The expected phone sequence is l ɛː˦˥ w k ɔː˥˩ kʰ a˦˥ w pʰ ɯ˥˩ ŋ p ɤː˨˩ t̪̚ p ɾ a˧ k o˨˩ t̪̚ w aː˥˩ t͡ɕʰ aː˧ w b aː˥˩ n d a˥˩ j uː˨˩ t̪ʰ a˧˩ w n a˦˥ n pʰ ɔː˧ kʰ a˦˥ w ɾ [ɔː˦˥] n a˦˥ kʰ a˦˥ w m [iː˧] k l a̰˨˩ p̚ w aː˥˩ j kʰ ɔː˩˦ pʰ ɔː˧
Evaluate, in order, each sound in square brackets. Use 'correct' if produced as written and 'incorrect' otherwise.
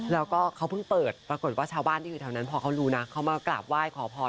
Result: incorrect: uː˦˥, incorrect: aː˧

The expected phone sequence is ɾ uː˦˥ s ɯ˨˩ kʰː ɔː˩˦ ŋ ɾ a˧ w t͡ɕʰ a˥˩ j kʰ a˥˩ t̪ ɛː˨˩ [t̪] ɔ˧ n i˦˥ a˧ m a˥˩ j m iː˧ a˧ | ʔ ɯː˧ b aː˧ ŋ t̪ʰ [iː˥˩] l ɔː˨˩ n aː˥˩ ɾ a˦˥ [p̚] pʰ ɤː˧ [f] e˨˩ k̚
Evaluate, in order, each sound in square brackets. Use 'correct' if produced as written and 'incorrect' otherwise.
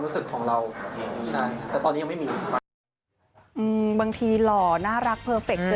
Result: correct, incorrect: iː˧, incorrect: k̚, correct

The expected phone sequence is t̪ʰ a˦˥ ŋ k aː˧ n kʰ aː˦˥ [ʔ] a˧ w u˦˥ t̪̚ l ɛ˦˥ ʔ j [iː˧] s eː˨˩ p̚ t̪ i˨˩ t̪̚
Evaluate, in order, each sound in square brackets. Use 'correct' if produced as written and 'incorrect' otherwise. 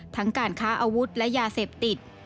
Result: correct, incorrect: aː˧

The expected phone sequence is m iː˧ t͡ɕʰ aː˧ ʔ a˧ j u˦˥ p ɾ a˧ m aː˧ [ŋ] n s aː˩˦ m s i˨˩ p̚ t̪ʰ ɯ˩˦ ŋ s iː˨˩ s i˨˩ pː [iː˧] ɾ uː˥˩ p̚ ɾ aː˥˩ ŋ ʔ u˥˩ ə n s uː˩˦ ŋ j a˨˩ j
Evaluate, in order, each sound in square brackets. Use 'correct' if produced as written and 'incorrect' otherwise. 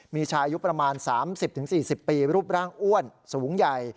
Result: incorrect: none, correct

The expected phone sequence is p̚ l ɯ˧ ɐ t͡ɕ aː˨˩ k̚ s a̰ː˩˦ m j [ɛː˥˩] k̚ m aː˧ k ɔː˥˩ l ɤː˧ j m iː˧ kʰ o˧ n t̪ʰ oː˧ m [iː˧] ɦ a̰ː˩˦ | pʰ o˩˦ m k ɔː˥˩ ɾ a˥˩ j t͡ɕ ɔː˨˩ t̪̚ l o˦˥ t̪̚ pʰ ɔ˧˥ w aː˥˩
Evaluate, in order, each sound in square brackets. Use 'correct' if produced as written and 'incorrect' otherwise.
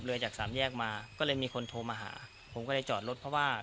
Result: correct, incorrect: aː˧

